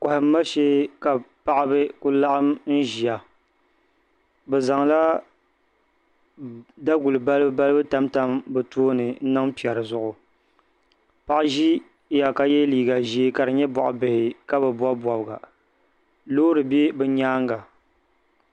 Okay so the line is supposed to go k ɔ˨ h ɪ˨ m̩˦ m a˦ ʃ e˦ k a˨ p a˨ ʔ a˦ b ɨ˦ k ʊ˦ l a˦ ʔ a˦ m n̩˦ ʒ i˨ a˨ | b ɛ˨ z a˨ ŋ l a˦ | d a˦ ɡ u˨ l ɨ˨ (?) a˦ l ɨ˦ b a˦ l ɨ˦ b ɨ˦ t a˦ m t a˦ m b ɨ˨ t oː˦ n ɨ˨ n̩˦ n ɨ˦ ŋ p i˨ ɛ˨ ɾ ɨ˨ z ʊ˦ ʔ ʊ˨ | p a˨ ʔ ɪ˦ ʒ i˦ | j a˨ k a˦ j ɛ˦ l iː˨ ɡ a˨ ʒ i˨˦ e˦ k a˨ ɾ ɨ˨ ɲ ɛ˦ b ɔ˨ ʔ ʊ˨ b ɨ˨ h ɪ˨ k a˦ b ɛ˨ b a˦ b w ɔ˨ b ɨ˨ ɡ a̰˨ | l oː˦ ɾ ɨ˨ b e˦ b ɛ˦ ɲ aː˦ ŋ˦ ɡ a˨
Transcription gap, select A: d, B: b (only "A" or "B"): B